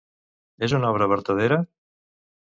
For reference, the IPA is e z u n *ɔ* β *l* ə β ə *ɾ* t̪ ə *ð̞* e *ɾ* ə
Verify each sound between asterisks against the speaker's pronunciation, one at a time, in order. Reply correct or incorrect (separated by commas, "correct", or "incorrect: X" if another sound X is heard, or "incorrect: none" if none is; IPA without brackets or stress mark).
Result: correct, incorrect: ɾ, correct, correct, correct